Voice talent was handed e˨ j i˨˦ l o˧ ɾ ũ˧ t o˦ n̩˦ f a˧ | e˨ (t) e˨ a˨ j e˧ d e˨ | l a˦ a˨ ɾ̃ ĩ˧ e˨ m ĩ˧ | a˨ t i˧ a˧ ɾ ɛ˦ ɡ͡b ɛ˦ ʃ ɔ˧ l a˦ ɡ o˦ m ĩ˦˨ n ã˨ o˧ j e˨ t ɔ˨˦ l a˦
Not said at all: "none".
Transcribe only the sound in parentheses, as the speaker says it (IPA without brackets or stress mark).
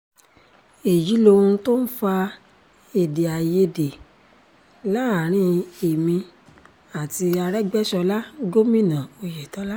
d